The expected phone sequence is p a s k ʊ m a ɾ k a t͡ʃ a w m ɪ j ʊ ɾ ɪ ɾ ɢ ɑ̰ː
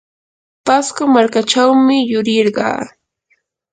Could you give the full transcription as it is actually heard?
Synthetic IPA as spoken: p a s k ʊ m a ɾ k a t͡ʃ a w m ɪ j ʊ ɾ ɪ ɾ ɢ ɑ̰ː